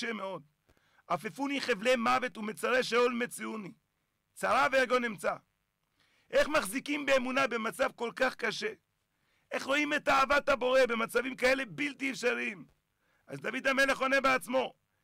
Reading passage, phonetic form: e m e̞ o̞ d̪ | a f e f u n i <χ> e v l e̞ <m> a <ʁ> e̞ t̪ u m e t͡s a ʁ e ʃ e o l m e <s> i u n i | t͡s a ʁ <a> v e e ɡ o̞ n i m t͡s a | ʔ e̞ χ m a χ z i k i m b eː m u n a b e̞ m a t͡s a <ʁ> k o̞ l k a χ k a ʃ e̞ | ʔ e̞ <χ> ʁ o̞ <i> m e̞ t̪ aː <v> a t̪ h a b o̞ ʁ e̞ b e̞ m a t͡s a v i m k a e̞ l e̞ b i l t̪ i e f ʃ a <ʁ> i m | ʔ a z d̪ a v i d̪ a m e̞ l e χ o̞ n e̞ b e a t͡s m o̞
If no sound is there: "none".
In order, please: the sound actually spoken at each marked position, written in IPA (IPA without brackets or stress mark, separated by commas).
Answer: χ, m, v, t͡s, a, v, χ, i, v, ʁ